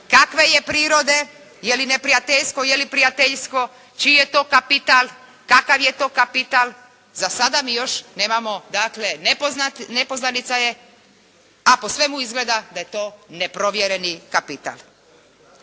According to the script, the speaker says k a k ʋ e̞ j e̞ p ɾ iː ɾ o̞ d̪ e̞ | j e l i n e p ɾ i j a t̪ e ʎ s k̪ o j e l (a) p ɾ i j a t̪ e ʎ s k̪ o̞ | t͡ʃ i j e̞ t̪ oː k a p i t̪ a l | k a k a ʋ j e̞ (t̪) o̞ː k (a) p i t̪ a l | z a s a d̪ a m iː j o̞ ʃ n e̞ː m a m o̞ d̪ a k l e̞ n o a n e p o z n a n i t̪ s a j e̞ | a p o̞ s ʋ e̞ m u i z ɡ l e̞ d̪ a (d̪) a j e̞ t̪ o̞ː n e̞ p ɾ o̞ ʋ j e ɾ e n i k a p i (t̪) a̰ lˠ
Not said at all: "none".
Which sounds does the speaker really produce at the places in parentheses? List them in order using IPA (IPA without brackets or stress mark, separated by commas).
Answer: i, t̪, a, d̪, t̪